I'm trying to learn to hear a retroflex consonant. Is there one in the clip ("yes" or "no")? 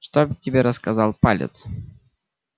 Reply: yes